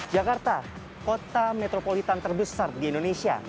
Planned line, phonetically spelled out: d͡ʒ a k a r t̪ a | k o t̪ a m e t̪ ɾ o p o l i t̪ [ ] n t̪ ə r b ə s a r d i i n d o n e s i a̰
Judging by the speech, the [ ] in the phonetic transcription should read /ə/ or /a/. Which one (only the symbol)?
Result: a